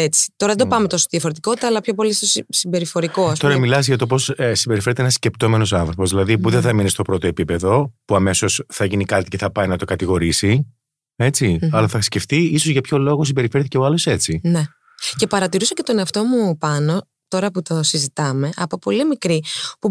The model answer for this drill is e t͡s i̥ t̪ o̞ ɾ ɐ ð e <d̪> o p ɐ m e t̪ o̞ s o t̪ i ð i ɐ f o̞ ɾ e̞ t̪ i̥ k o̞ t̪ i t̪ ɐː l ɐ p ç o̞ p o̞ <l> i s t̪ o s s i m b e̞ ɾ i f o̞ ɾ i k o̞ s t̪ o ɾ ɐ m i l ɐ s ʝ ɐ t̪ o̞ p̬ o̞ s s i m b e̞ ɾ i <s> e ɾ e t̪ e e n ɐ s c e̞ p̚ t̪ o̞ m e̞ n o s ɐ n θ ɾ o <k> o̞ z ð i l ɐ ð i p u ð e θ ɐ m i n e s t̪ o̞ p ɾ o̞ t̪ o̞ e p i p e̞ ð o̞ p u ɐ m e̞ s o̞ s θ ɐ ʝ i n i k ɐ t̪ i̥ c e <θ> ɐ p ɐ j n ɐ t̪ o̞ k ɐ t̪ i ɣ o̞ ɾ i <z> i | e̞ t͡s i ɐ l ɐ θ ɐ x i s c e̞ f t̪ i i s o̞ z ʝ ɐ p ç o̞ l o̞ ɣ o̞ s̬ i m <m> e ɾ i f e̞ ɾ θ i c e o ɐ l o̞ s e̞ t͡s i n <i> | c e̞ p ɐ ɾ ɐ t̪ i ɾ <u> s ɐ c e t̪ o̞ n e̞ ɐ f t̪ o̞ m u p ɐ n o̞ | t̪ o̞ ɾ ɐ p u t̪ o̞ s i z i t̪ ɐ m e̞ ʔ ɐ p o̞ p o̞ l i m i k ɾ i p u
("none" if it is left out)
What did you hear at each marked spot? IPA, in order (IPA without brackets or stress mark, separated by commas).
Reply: d̪, l, f, p, θ, s, b, e, u